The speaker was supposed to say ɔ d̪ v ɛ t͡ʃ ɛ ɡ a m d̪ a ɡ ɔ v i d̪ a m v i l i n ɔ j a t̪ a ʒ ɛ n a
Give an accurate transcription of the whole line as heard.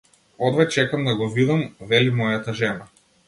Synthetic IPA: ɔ d̪ v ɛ t͡ʃ ɛ k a m d̪ a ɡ ɔ v i d̪ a m v ɛ l i m ɔ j a t̪ a ʒ ɛ n a